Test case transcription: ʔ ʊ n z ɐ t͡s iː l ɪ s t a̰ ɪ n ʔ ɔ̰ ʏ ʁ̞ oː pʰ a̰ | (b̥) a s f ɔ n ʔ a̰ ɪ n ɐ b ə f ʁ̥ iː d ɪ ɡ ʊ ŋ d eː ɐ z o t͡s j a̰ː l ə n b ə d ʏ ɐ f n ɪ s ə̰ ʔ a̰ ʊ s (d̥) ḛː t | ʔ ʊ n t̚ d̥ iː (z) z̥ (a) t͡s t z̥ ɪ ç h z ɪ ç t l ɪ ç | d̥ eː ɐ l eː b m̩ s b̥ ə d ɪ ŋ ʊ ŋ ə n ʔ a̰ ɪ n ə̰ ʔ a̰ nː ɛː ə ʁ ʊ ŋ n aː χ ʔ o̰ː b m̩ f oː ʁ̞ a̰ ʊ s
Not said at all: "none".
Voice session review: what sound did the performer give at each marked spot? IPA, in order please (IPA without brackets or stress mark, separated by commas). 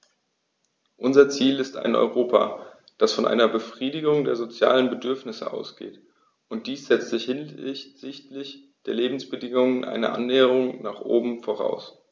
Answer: d̥, ɡ̥, s, ɛ